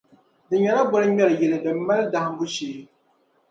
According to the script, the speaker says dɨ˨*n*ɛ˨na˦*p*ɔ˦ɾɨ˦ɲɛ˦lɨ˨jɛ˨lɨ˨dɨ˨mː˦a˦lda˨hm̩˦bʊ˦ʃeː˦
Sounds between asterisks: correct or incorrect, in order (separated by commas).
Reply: incorrect, incorrect